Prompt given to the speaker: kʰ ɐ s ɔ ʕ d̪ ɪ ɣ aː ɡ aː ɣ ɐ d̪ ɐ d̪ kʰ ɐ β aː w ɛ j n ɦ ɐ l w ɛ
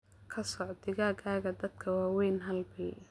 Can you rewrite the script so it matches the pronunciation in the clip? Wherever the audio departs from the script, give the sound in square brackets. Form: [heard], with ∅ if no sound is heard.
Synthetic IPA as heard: kʰ ɐ s ɔ ʕ d̪ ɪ ɣ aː ɡ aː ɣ ɐ d̪ ɐ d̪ kʰ ɐ [w] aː w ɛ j n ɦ ɐ l [b] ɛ

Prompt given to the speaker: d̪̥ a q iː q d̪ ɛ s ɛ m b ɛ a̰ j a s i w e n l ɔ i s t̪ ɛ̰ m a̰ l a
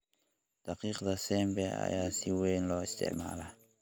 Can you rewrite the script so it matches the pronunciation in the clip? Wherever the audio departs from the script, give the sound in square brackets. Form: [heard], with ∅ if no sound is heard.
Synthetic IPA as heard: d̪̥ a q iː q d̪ [a] s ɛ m b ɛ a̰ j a s i w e n l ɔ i s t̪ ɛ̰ m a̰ l a

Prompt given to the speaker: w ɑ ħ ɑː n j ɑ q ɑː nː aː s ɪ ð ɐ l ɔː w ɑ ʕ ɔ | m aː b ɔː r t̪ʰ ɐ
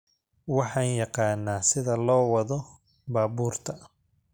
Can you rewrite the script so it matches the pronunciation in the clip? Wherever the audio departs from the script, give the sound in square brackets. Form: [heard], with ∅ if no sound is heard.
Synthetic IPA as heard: w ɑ ħ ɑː n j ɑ q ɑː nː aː s ɪ ð ɐ l ɔː w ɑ [ð] ɔ | [b] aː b [uː] r t̪ʰ ɐ

